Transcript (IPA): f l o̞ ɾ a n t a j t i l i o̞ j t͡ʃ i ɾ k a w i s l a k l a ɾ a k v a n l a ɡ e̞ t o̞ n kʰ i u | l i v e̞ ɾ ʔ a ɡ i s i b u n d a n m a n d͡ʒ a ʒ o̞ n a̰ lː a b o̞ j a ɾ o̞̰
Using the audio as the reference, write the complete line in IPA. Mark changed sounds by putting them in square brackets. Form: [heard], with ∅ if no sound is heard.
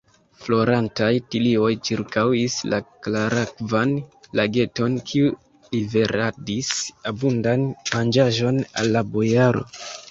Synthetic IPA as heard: f l o̞ ɾ a n t a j t i l i o̞ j t͡ʃ i ɾ k a w i s l a k l a ɾ a k v a n l a ɡ e̞ t o̞ n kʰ i u | l i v e̞ ɾ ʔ a [d] i s [a] b u n d a n m a n d͡ʒ a ʒ o̞ n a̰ lː a b o̞ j a ɾ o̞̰